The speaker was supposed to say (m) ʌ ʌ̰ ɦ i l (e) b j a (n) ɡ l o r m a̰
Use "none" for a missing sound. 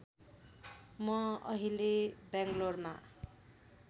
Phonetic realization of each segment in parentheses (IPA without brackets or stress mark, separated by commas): m, e, ŋ